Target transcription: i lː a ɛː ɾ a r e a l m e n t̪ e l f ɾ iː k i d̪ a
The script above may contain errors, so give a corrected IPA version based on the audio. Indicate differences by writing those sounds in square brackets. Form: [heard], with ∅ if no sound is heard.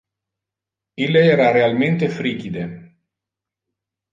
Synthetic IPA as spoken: i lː [e] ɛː ɾ a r e a l m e n t̪ e [∅] f ɾ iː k i d̪ [e]